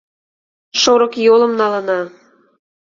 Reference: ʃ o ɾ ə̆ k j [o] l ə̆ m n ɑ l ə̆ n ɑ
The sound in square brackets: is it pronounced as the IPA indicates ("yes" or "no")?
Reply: yes